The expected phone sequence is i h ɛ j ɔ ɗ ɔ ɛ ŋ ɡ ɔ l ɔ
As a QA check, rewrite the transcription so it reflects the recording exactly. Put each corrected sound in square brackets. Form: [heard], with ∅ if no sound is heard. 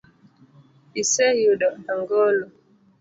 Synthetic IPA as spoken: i [s] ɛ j [u] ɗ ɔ [a] ŋ ɡ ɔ l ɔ

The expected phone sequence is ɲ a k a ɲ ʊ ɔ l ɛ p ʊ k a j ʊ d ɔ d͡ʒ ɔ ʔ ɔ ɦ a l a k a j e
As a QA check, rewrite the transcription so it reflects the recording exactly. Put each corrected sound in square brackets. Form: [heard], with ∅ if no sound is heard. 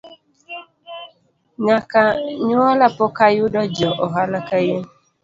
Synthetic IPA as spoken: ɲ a k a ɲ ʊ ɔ l [a] p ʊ k a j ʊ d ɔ d͡ʒ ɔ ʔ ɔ ɦ a l a k a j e

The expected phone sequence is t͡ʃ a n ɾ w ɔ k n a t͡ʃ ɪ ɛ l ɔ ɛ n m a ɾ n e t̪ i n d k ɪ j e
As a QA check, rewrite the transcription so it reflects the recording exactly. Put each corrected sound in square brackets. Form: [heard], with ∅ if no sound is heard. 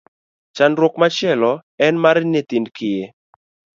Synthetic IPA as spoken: t͡ʃ a n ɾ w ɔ k [m] a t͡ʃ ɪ ɛ l ɔ ɛ n m a ɾ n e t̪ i n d k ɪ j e

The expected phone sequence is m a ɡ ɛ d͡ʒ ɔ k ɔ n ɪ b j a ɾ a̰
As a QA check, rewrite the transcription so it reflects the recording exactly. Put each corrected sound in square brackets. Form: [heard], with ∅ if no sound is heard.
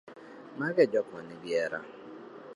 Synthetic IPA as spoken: m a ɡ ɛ d͡ʒ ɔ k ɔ n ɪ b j [ɛ] ɾ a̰

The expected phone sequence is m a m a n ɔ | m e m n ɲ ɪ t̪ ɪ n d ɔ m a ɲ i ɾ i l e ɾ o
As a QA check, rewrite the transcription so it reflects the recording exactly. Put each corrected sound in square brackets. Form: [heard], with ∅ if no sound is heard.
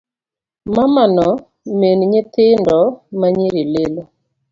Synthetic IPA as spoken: m a m a n ɔ | m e [∅] n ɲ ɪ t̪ ɪ n d ɔ m a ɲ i ɾ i l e [l] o

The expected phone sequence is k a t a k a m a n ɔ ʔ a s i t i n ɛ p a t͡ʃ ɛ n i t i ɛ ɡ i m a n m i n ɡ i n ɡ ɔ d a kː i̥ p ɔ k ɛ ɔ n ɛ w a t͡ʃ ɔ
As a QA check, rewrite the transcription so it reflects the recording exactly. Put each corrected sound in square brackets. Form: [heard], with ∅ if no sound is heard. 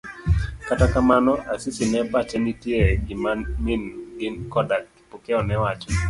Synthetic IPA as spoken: k a t a k a m a n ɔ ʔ a s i [s] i n ɛ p a t͡ʃ ɛ n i t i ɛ ɡ i m a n m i n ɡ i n [k] ɔ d a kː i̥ p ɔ k ɛ ɔ n ɛ w a t͡ʃ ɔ

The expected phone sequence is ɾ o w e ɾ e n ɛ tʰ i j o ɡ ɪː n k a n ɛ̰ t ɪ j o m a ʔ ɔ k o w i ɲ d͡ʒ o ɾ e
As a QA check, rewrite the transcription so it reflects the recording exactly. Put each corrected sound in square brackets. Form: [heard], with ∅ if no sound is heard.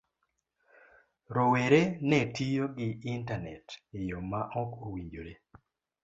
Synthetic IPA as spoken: ɾ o w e ɾ e n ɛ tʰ i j o ɡ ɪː n [t] a n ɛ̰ t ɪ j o m a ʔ ɔ k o w i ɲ d͡ʒ o ɾ e

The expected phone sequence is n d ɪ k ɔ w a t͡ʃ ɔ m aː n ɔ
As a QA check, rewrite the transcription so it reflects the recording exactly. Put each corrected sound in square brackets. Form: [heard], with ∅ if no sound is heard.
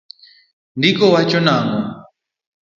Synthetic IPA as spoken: n d [i] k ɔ w a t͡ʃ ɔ [n] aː [ŋ] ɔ

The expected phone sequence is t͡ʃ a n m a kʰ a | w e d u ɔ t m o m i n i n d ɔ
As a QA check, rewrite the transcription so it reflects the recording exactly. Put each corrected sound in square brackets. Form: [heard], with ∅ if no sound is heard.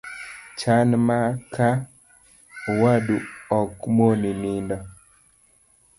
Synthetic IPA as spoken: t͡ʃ a n m a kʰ a | w [a] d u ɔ [k] m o [n] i n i n d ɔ

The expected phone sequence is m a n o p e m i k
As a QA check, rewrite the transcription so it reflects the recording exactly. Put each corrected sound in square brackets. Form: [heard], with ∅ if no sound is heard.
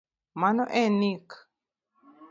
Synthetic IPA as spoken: m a n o [ʔ] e [n] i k

